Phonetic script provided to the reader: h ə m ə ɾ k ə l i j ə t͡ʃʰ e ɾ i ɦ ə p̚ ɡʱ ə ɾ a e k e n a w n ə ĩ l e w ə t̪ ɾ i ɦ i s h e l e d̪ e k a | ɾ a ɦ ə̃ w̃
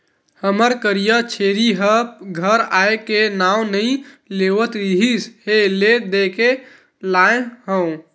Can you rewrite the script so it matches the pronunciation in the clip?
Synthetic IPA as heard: h ə m ə ɾ k ə ɾ i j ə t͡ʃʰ e ɾ i ɦ ə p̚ ɡʱ ə ɾ a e k e n a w n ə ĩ l e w ə t̪ ɾ i ɦ i s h e l e d̪ e k e | l a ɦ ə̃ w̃